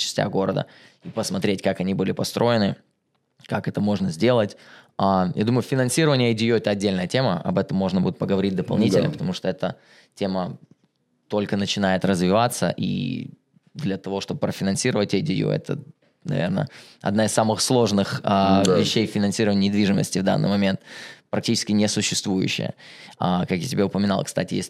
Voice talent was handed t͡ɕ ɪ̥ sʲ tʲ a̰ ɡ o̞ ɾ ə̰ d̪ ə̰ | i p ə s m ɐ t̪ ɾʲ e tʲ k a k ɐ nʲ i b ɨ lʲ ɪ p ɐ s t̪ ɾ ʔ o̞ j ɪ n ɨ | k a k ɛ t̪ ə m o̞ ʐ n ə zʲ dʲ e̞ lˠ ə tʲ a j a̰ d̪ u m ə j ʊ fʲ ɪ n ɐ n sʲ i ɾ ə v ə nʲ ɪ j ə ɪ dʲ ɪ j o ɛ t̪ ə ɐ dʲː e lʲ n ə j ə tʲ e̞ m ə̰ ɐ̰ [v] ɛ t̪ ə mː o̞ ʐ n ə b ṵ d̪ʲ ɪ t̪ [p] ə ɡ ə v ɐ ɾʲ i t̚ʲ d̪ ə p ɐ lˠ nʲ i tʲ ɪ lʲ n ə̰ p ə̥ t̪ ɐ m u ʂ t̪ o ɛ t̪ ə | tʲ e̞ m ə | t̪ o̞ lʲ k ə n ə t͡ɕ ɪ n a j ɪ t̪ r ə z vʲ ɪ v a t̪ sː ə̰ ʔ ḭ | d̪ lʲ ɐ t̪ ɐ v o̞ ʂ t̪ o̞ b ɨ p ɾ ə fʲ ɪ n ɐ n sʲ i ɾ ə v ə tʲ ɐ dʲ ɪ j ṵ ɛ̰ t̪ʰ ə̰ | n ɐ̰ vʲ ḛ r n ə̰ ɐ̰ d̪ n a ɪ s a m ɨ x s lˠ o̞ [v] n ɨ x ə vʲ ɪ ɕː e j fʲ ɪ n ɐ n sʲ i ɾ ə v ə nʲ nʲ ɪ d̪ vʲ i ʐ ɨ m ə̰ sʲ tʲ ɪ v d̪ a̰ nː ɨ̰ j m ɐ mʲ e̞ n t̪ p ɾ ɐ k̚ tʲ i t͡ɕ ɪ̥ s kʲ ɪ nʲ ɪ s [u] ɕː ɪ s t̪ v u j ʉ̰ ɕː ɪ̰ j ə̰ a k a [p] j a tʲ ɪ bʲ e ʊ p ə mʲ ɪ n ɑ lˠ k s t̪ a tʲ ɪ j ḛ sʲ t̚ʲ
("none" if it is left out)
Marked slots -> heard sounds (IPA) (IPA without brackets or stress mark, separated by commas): b, p, ʐ, ʊ, k